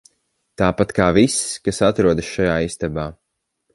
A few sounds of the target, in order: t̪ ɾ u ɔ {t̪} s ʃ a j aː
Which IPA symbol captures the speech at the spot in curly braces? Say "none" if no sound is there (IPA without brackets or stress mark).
d̪